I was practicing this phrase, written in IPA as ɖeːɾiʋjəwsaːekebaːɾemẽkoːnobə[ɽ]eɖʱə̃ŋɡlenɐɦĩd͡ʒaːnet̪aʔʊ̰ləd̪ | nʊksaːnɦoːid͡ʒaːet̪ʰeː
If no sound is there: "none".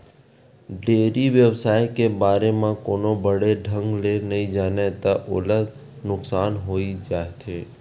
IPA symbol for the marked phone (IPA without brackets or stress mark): ɽ